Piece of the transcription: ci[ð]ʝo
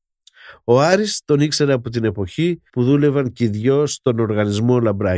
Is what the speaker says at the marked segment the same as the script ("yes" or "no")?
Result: yes